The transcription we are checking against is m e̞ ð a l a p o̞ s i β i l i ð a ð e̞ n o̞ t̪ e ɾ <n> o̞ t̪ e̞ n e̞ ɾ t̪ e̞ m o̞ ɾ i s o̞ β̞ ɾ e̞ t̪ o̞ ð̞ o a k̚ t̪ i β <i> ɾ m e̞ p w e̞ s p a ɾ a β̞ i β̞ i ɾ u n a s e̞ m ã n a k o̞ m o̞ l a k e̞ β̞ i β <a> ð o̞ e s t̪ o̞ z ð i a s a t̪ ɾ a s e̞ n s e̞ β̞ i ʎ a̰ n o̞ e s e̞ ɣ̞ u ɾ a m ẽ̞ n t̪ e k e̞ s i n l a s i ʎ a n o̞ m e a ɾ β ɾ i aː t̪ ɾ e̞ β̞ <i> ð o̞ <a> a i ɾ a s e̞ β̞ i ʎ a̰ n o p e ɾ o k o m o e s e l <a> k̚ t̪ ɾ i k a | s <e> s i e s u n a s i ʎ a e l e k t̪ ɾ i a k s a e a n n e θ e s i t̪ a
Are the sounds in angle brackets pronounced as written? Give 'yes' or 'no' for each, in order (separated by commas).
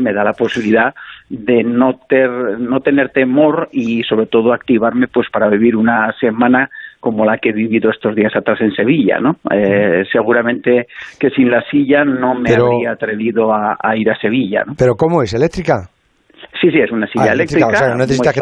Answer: yes, no, no, yes, yes, no, no